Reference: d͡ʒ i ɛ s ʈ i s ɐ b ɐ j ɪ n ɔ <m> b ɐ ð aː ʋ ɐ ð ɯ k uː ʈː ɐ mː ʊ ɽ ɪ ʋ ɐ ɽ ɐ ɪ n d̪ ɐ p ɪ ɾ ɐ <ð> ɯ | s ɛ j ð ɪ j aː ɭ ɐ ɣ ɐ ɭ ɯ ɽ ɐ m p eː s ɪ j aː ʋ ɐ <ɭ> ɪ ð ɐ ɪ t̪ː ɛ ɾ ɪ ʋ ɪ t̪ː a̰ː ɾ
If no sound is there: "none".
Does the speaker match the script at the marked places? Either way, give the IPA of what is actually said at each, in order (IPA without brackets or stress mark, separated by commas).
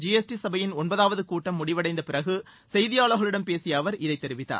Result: n, ɣ, ɾ